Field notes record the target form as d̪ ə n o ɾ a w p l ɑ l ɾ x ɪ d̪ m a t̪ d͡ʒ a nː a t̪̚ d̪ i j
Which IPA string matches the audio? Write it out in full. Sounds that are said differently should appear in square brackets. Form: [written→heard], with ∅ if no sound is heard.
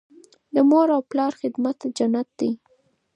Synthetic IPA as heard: d̪ ə [n→m] o ɾ a w p l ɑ [l→∅] ɾ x ɪ d̪ m a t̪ d͡ʒ a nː a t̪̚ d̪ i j